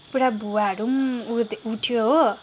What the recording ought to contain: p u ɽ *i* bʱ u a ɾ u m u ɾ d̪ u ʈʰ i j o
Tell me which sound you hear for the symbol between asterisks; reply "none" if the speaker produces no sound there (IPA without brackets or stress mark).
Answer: a